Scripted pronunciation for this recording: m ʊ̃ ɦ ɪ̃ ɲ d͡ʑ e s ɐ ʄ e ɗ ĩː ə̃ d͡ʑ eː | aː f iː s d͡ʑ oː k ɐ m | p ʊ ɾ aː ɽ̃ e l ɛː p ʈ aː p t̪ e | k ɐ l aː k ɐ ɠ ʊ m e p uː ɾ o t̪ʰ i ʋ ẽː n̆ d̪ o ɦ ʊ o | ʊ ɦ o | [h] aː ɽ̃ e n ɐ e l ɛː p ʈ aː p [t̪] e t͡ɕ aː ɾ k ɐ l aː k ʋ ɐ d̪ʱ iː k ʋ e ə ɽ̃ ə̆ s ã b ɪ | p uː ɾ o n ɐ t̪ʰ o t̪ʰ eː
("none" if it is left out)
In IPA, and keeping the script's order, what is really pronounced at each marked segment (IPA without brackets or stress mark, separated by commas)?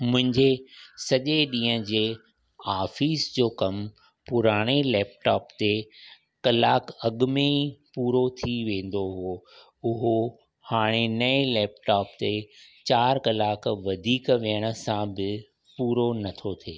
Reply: h, t̪